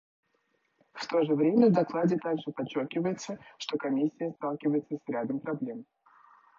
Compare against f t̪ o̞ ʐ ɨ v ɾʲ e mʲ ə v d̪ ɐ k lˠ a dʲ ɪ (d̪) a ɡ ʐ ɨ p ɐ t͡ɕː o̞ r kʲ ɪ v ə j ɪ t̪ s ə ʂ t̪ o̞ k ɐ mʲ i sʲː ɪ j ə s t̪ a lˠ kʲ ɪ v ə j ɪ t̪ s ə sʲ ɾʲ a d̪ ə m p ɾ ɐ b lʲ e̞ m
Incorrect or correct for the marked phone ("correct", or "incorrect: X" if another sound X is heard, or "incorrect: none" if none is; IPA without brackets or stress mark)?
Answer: incorrect: t̪